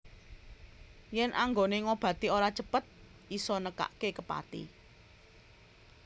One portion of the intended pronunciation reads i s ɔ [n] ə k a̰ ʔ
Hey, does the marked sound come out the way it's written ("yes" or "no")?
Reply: yes